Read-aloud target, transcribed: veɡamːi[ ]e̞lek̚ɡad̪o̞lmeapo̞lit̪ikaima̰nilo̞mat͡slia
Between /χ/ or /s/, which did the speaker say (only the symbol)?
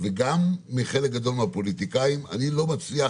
χ